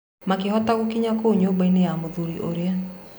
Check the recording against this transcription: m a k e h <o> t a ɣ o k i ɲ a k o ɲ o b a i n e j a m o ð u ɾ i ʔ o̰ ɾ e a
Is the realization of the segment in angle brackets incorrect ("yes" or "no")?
yes